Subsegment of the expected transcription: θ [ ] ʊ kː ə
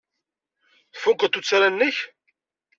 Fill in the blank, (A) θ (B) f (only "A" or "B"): B